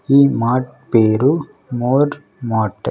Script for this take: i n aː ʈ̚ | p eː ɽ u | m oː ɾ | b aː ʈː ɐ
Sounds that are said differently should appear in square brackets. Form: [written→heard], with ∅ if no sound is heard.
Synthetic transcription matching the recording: i [n→m] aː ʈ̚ | p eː [ɽ→ɾ] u | m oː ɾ | [b→m] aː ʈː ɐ